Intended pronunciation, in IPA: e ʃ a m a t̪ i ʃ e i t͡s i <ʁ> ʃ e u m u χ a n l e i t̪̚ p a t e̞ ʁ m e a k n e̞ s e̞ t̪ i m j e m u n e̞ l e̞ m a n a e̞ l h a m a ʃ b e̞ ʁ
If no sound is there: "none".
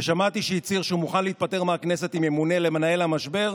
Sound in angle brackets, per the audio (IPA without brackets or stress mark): ʁ